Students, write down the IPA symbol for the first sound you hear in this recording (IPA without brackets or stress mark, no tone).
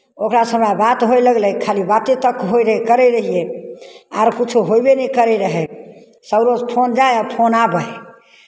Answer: o